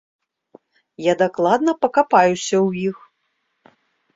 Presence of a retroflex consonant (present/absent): absent